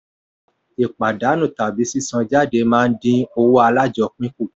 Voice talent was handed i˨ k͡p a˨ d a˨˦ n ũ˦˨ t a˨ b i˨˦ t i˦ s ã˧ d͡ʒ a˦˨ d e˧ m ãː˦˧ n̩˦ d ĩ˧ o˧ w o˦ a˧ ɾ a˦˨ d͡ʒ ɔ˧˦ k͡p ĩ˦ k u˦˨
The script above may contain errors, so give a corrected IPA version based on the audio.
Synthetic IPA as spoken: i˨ k͡p a˨ d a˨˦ n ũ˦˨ t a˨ b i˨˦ s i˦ s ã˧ d͡ʒ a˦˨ d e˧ m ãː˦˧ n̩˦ d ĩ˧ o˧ w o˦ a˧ l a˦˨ d͡ʒ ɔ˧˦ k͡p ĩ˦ k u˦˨